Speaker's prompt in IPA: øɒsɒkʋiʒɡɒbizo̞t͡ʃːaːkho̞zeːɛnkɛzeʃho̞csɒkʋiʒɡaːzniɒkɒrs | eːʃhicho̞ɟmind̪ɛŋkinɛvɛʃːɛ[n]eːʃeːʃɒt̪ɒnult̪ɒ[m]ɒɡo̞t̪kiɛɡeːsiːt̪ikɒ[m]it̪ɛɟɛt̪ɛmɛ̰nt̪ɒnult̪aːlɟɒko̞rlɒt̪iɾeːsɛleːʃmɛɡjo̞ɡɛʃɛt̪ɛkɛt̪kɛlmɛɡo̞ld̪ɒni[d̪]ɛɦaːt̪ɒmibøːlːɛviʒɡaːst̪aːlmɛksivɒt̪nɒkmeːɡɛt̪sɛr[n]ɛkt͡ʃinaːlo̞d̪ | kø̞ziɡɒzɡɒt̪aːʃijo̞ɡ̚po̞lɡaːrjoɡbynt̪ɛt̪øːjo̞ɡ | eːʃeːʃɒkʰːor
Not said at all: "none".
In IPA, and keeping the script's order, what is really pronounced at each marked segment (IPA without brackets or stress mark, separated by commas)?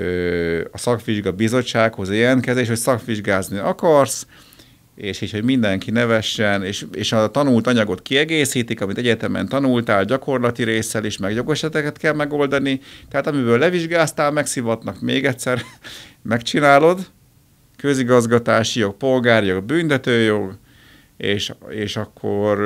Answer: n, ɲ, m, t̪, m